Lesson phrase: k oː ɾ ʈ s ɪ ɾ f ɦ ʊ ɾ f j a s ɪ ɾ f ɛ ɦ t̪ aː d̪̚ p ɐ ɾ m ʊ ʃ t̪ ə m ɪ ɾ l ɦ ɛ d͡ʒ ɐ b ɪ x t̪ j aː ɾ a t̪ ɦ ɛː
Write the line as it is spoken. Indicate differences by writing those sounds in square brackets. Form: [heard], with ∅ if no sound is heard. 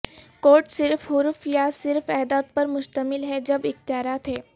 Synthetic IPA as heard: k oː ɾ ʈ s ɪ ɾ f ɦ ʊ ɾ f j a s ɪ ɾ f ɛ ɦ [d̪] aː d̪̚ p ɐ ɾ m ʊ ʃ t̪ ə m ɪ [∅] l ɦ ɛ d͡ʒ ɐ b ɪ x t̪ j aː ɾ a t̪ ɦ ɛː